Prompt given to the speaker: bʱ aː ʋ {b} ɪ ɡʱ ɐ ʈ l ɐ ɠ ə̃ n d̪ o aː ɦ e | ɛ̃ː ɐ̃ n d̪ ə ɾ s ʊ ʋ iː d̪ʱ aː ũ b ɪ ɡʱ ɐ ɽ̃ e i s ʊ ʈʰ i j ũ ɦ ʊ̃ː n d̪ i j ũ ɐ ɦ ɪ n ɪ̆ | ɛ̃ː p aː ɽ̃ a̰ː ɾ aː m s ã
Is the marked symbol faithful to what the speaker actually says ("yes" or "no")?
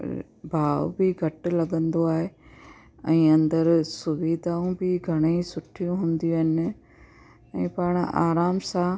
yes